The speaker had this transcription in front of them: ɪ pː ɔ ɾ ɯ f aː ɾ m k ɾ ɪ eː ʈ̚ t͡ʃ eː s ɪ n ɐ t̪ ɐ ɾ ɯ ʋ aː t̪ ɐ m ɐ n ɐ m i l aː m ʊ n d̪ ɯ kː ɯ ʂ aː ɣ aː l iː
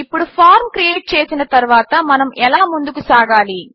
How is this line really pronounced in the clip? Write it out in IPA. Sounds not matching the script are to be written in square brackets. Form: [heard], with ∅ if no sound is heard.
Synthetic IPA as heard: ɪ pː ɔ [ɽ] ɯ f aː ɾ m k ɾ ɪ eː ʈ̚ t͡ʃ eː s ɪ n ɐ t̪ ɐ ɾ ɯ ʋ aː t̪ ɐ m ɐ n ɐ m [ɛ] l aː m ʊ n d̪ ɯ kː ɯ [s] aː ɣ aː l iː

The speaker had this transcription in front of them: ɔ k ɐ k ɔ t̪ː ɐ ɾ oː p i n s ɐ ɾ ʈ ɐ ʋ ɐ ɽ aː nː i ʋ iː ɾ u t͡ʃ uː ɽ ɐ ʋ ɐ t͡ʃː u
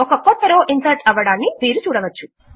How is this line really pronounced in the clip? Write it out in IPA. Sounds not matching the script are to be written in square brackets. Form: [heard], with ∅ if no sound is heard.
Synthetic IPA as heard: ɔ k ɐ k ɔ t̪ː ɐ ɾ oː [ʔ] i n s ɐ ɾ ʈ ɐ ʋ ɐ ɽ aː nː i ʋ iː ɾ u t͡ʃ uː ɽ ɐ ʋ ɐ t͡ʃː u

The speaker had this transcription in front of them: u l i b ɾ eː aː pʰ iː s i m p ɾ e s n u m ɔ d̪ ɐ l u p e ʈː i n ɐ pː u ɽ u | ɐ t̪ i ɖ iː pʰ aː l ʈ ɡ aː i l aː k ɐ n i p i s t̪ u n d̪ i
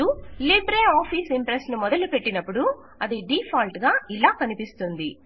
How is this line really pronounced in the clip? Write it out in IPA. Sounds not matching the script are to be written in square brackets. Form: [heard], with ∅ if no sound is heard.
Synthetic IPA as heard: u l i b ɾ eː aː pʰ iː s i m p ɾ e s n u m ɔ d̪ ɐ l u p e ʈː i n ɐ pː u ɽ u | ɐ [d̪] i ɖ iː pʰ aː l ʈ ɡ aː i l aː k ɐ n i p i s t̪ u n d̪ i

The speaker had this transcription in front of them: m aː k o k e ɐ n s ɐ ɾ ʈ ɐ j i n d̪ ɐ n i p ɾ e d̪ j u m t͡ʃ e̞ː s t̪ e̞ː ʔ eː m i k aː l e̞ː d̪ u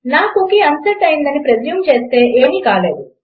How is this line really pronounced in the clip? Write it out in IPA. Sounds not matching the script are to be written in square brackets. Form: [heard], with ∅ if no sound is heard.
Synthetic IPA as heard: [n] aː k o k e ɐ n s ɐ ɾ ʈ ɐ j i n d̪ ɐ n i p ɾ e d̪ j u m t͡ʃ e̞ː s t̪ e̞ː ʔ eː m i k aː l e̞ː d̪ u

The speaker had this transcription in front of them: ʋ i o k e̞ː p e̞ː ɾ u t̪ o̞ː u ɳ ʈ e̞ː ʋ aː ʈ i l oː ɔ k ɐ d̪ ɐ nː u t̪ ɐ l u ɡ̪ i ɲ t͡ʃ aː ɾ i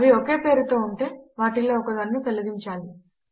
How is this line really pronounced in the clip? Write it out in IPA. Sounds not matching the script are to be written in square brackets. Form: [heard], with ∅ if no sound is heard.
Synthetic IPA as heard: ʋ i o k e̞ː p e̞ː ɾ u t̪ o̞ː u ɳ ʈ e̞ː ʋ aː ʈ i l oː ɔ k ɐ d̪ ɐ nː u t̪ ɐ l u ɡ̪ i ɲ t͡ʃ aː [l] i

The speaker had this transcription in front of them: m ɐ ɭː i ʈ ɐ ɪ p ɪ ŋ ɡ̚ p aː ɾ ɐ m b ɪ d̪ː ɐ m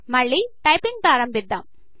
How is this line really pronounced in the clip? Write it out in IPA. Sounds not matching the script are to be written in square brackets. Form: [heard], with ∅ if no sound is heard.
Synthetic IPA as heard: m ɐ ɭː i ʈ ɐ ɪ p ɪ ŋ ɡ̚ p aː ɾ ɐ m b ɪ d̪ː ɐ m

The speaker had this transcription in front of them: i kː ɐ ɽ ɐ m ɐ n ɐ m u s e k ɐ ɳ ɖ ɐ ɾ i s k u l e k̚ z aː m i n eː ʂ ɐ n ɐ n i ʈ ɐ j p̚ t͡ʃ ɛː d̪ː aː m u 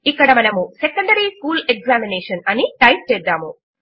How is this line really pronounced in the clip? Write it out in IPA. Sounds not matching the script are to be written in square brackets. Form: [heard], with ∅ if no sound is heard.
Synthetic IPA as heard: i kː ɐ ɽ ɐ m ɐ n ɐ m u s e k ɐ ɳ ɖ ɐ ɾ i s k [uː] l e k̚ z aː m i n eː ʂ ɐ n ɐ n i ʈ ɐ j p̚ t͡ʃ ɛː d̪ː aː m u

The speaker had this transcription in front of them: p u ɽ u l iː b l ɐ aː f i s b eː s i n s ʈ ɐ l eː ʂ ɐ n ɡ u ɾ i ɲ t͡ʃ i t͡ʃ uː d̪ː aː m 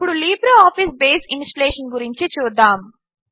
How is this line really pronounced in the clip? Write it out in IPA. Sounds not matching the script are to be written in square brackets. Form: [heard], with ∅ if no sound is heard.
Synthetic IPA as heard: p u ɽ u l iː b [ɾ] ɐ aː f i s b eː s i n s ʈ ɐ l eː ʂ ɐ n ɡ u ɾ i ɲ t͡ʃ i t͡ʃ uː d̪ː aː m

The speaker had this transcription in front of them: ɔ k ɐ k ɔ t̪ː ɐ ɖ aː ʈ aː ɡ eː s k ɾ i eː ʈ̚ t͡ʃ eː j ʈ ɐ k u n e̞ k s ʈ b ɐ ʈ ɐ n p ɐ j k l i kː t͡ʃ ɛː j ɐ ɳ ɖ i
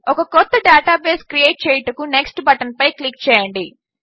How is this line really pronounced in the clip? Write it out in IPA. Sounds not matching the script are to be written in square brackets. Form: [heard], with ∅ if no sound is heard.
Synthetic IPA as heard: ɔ k ɐ k ɔ t̪ː ɐ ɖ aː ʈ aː [b] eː s k ɾ i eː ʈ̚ t͡ʃ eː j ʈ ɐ k u n e̞ k s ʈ b ɐ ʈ ɐ n p ɐ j k l i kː t͡ʃ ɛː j ɐ ɳ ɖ i

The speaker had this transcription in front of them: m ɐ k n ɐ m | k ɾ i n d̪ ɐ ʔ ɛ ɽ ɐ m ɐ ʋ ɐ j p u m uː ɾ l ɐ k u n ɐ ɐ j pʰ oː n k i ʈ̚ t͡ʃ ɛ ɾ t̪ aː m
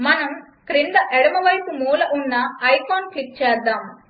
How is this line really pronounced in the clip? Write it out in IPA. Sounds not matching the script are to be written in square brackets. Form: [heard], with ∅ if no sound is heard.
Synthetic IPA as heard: m ɐ [∅] n ɐ m | k ɾ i n d̪ ɐ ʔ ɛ ɽ ɐ m ɐ ʋ ɐ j p u m uː [∅] l ɐ [ʔ] u [nː] ɐ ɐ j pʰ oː n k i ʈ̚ t͡ʃ [ɛː] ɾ [d̪] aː m

